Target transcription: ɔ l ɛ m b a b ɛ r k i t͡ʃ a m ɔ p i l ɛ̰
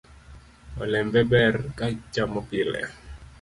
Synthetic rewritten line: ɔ l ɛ m b ɛ b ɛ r k a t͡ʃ a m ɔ p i l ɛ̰